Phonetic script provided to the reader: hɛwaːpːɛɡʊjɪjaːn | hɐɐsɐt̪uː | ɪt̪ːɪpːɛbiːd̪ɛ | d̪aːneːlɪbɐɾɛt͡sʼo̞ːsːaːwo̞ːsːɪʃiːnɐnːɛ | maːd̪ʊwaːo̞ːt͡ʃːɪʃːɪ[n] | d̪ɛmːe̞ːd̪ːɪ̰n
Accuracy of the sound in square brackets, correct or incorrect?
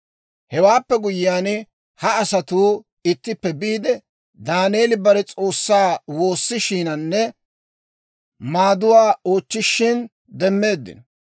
correct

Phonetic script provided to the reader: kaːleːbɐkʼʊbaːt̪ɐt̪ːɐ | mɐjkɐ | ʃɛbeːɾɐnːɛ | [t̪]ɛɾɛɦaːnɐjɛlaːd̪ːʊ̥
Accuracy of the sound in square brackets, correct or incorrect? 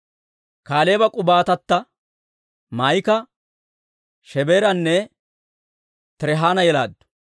correct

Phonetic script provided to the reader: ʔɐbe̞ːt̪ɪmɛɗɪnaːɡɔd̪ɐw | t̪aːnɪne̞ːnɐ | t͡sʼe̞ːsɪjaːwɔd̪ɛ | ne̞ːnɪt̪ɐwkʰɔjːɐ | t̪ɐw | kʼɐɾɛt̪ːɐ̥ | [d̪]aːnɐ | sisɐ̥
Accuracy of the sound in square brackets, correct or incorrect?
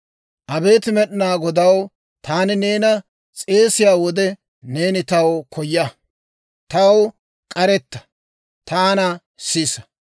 incorrect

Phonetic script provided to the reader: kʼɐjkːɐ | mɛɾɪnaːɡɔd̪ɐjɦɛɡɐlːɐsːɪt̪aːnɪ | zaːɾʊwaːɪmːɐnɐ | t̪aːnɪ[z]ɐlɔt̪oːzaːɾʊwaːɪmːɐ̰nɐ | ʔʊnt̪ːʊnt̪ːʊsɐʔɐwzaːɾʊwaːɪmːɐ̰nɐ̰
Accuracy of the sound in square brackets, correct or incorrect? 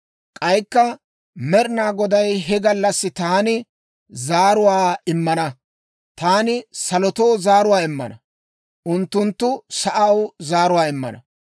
incorrect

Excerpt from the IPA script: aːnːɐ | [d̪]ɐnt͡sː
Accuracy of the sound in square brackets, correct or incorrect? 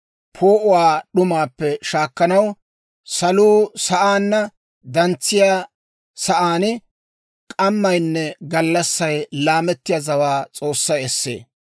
correct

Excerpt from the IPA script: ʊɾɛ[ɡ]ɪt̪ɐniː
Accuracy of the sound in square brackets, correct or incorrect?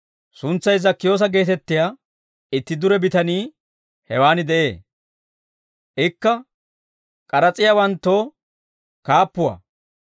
incorrect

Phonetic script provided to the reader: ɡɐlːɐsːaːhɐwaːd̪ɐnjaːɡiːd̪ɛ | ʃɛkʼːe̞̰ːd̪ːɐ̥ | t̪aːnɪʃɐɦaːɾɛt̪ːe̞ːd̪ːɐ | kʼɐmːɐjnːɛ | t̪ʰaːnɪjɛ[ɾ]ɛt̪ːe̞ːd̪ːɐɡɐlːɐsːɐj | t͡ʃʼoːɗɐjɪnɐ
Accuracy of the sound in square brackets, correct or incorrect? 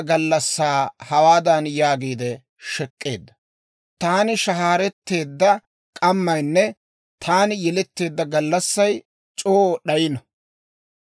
incorrect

